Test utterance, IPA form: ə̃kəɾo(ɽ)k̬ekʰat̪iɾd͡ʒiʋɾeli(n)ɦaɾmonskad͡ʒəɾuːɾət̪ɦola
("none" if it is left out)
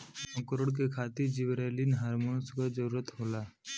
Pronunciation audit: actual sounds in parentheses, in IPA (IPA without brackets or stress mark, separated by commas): ɽ, n